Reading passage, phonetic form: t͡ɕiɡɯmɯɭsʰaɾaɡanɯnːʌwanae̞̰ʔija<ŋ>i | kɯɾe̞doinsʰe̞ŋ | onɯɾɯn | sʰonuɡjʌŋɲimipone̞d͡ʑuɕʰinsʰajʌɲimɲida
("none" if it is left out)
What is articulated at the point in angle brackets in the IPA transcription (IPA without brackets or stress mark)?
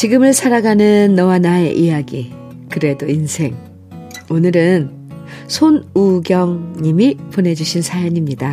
ɡ